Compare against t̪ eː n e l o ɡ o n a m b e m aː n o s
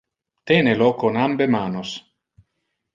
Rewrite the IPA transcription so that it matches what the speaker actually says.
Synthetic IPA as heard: t̪ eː n e l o k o n a m b e m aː n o s